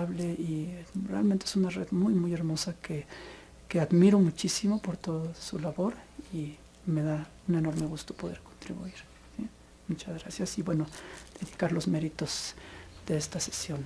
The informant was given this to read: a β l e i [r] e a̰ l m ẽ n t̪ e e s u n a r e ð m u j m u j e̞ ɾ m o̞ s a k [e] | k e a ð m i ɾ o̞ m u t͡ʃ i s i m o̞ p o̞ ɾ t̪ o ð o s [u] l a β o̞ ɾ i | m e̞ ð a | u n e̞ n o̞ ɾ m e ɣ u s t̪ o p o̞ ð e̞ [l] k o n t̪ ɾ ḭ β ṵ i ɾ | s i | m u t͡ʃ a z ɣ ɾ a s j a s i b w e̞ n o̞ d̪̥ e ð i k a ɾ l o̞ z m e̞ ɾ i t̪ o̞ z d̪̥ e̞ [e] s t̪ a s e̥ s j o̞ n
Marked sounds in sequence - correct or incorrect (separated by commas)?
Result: correct, correct, correct, incorrect, correct